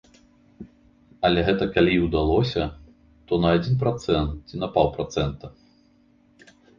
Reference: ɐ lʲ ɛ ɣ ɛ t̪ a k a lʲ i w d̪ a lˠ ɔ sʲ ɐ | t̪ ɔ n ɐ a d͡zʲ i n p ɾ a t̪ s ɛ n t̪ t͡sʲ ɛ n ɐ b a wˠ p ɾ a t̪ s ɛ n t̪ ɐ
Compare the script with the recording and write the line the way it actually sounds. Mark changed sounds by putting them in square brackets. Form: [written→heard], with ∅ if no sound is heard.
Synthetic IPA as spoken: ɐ lʲ ɛ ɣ ɛ t̪ [a→ɐ] k a lʲ i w d̪ a lˠ ɔ sʲ ɐ | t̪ ɔ n ɐ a d͡zʲ i n p ɾ a t̪ s ɛ n t̪ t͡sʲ [ɛ→i] n ɐ [b→p] a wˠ p ɾ a t̪ s ɛ n t̪ ɐ